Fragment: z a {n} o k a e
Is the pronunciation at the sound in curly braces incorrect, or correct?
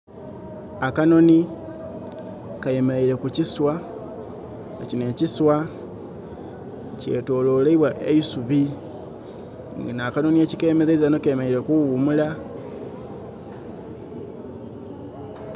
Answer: correct